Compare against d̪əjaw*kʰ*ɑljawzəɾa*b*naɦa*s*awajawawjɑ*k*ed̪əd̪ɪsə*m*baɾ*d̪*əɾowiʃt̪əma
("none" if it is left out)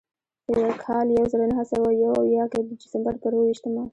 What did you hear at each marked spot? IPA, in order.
kʰ, none, s, k, m, t̪

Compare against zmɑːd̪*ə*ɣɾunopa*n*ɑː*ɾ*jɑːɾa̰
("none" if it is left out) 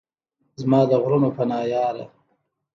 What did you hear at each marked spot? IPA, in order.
ə, n, none

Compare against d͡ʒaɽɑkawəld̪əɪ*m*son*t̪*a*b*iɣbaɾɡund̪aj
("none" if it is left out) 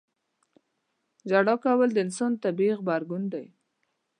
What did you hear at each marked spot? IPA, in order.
n, t̪, b

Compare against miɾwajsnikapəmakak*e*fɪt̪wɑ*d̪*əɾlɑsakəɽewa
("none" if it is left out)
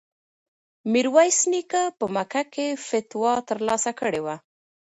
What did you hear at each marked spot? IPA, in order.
e, t̪

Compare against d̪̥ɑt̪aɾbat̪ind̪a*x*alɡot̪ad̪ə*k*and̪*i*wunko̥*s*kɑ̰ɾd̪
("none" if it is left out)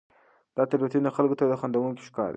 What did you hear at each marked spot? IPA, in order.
x, x, a, ʃ

